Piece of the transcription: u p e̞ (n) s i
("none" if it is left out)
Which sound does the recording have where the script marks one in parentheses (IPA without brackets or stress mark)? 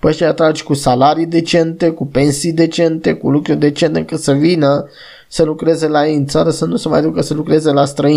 n